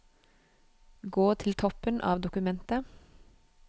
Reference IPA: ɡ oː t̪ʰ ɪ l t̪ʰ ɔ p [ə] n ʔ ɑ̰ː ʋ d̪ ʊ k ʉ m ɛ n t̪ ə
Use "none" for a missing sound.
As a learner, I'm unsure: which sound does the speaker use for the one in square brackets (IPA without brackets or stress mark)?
ə